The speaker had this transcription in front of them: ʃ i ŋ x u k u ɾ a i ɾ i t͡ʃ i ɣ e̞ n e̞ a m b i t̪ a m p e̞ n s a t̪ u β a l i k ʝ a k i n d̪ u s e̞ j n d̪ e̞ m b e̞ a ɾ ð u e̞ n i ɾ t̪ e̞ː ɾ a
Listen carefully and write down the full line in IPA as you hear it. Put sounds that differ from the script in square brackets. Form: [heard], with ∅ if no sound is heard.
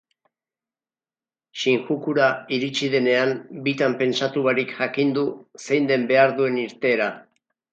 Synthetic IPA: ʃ i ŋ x u k u ɾ a i ɾ i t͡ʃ i [ð] e̞ n e̞ a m b i t̪ a m p e̞ n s a t̪ u β a [ɾ] i k ʝ a k i n d̪ u s e̞ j n d̪ e̞ m b e̞ a ɾ ð u e̞ n i ɾ t̪ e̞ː ɾ a